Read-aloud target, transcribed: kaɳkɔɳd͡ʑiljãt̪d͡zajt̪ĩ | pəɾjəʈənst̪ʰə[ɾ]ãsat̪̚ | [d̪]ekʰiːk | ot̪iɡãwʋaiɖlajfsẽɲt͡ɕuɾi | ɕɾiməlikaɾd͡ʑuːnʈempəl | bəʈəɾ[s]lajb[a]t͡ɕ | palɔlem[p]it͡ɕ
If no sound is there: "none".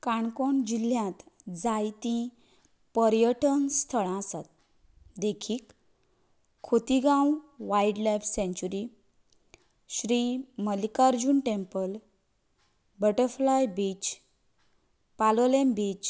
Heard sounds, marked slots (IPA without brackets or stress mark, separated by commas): ɭ, d̪, f, i, b